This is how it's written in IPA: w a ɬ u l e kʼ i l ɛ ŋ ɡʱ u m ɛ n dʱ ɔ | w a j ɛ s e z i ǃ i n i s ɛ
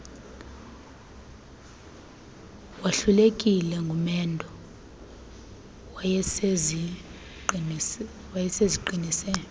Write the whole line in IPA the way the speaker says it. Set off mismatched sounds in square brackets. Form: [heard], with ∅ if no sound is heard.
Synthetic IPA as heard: w a ɬ u l e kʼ i l ɛ ŋ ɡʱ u m ɛ n dʱ ɔ | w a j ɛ s e z i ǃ i n i s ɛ